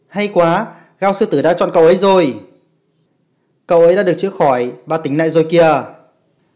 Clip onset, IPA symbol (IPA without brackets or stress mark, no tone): h